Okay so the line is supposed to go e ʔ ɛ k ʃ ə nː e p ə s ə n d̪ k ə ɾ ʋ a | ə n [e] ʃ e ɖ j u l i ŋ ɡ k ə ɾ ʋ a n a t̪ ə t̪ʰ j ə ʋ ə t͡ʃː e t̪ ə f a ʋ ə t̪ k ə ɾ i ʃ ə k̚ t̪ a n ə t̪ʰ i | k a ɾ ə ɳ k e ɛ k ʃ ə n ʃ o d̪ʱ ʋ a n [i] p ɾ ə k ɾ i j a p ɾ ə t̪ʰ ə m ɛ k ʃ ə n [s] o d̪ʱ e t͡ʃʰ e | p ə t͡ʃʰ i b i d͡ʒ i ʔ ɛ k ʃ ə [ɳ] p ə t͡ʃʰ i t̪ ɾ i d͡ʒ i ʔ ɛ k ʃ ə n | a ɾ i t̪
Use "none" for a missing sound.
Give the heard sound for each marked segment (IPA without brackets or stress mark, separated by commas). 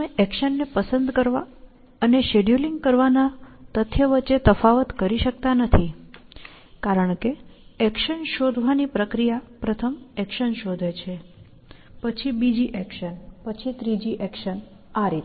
e, i, ʃ, n